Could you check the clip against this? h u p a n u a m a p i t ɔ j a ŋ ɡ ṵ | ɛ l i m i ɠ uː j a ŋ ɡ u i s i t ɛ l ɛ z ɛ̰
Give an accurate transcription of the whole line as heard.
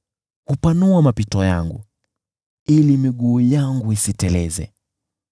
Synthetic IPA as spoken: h u p a n u a m a p i t ɔ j a ŋ ɡ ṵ | i l i m i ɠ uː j a ŋ ɡ u i s i t ɛ l ɛ z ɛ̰

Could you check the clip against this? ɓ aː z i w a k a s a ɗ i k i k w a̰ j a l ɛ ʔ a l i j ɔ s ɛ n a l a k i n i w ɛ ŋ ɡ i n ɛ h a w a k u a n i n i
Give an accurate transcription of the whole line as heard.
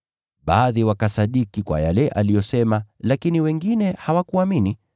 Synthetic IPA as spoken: ɓ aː ð i w a k a s a ɗ i k i k w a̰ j a l ɛ ʔ a l i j ɔ s ɛ m a l a k i n i w ɛ ŋ ɡ i n ɛ h a w a k u a m i n i

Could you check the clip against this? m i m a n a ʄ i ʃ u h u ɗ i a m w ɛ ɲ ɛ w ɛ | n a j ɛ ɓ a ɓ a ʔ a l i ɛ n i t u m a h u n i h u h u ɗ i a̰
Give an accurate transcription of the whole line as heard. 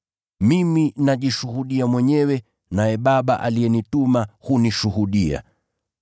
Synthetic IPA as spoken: m i m i n a ʄ i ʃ u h u ɗ i a m w ɛ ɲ ɛ w ɛ | n a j ɛ ɓ a ɓ a ʔ a l i ɛ n i t u m a h u n i ʃ u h u ɗ i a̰

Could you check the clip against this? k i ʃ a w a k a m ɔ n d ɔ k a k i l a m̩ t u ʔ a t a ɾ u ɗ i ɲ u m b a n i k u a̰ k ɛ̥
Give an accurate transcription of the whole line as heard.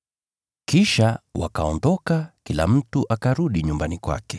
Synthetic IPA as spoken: k i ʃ a w a k a ɔ n d ɔ k a k i l a m̩ t u ʔ a k a ɾ u ɗ i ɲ u m b a n i k w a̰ k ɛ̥

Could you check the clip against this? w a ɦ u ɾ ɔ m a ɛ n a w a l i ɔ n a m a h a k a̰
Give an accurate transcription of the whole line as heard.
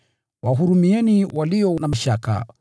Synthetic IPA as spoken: w a ɦ u ɾ u m i ɛ n i w a l i ɔ n a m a ʃ a k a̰

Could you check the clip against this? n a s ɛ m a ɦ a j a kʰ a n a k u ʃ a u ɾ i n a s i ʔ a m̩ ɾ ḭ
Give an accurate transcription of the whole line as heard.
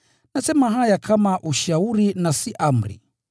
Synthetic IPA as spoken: n a s ɛ m a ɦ a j a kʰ a m a ʔ u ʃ a u ɾ i n a s i ʔ a m̩ ɾ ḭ

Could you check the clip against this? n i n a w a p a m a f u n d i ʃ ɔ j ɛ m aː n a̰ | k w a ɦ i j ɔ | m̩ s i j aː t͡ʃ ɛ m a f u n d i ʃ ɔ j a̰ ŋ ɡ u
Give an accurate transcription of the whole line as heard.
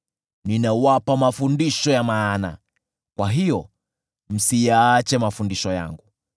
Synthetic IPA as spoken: n i n a w a p a m a f u n d i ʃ ɔ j a m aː n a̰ | k w a ɦ i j ɔ | m̩ s i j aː t͡ʃ ɛ m a f u n d i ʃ ɔ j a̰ ŋ ɡ u

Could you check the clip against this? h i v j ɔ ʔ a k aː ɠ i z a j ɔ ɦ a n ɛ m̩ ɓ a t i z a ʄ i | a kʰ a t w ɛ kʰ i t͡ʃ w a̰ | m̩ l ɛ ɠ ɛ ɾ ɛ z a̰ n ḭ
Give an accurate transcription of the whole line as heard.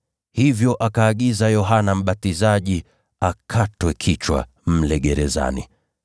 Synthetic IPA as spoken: h i v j ɔ ʔ a k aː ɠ i z a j ɔ ɦ a n a m̩ ɓ a t i z a ʄ i | a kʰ a t w ɛ kʰ i t͡ʃ w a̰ | m̩ l ɛ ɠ ɛ ɾ ɛ z a̰ n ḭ

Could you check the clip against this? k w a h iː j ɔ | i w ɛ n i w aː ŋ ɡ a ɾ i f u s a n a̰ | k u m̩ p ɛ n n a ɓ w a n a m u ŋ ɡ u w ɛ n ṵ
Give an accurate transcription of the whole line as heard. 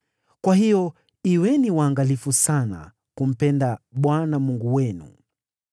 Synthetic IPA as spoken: k w a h i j ɔ | i w ɛ n i w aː ŋ ɡ a l i f u s a n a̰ | k u m̩ p ɛ n d a ɓ w a n a m u ŋ ɡ u w ɛ n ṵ

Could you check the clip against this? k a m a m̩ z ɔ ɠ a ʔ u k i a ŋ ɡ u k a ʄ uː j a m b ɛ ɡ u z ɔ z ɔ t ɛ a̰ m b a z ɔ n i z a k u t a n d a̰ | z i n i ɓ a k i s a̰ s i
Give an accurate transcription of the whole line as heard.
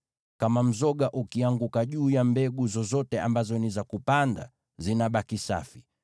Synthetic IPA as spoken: k a m a m̩ z ɔ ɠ a ʔ u k i a ŋ ɡ u k a ʄ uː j a m b ɛ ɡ u z ɔ z ɔ t ɛ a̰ m b a z ɔ n i z a k u p a n d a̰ | z i n a ɓ a k i s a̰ f i

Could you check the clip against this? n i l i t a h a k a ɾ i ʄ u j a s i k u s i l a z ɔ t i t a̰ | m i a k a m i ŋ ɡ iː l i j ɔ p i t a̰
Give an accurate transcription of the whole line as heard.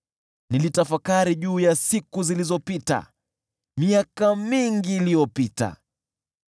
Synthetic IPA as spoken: n i l i t a f a k a ɾ i ʄ uː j a s i k u z i l i z ɔ p i t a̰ | m i a k a m i ŋ ɡ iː l i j ɔ p i t a̰

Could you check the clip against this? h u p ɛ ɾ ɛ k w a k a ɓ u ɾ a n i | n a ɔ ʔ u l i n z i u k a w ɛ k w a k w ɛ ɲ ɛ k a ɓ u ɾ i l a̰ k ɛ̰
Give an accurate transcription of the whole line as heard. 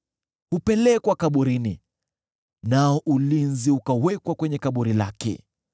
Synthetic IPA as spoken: h u p ɛ l ɛ k w a k a ɓ u ɾ i n i | n a ɔ ʔ u l i n z i u k a w ɛ k w a k w ɛ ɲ ɛ k a ɓ u ɾ i l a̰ k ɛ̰

